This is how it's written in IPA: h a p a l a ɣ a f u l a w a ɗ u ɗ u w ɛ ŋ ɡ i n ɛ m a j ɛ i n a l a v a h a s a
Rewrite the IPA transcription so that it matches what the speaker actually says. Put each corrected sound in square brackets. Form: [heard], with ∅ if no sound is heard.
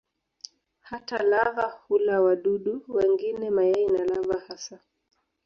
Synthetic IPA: h a [t] a l a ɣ a [h] u l a w a ɗ u ɗ u w ɛ ŋ ɡ i n ɛ m a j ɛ i n a l a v a h a s a